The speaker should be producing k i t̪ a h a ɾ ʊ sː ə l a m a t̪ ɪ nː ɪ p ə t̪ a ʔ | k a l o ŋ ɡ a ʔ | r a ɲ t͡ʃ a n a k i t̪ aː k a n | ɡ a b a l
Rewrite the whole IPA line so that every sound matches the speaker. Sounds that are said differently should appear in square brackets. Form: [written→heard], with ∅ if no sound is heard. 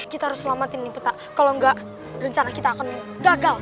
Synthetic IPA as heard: k i t̪ a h a ɾ ʊ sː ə l a m a t̪ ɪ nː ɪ p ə t̪ a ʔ | k a l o ŋ ɡ a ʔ | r [a→ə] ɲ t͡ʃ a n a k i t̪ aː k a n | ɡ a [b→ɡ] a l